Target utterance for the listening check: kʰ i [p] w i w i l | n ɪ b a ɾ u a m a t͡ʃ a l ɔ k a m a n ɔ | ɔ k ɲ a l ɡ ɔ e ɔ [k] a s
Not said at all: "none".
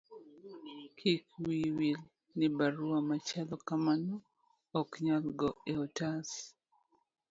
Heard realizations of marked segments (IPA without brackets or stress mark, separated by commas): k, t